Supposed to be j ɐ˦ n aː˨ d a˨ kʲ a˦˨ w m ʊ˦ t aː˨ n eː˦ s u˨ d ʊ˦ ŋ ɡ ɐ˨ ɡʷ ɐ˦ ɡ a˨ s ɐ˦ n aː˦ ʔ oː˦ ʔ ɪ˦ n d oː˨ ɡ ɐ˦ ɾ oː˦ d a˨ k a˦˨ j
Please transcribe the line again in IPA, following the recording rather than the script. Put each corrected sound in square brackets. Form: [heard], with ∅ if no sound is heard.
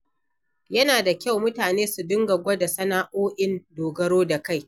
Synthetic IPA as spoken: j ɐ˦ n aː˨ d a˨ kʲ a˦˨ w m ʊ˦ t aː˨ n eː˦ s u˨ d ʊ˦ ŋ ɡ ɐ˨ ɡʷ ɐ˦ [d] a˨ s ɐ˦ n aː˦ ʔ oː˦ ʔ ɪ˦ n d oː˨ ɡ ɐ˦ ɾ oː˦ d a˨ k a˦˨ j